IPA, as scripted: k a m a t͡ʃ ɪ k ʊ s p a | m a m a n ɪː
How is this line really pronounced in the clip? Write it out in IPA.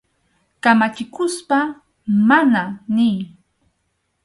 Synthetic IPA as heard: k a m a t͡ʃ ɪ k ʊ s p a | m a n a n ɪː